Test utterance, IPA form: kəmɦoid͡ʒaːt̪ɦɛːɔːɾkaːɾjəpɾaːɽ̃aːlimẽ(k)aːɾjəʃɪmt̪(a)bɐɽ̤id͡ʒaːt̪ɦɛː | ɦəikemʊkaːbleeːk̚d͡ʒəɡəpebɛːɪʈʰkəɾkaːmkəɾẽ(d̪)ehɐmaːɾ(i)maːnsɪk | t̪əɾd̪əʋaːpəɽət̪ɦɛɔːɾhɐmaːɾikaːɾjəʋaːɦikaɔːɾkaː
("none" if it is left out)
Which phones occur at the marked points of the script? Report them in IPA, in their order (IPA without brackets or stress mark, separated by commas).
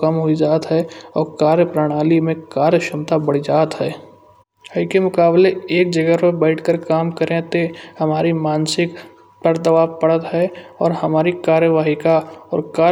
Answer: k, a, t̪, i